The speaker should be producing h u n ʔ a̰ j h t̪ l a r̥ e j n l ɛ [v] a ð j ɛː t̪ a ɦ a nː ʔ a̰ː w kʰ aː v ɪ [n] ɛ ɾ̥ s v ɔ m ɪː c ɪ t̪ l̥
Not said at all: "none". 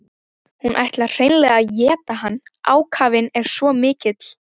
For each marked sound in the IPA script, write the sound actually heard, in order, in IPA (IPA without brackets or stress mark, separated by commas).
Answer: ɣ, n